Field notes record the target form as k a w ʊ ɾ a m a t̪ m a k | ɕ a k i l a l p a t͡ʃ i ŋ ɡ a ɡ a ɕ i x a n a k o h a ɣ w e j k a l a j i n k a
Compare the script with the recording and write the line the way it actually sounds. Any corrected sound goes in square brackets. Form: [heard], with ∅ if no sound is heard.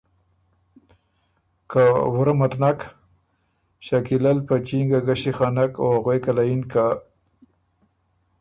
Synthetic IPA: k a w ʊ ɾ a m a t̪ [n] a k | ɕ a k i l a l p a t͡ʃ i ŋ ɡ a ɡ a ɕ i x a n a k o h a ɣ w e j k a l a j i n k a